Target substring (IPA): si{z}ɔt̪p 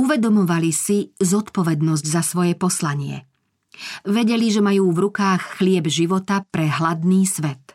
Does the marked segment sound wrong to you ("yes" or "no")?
no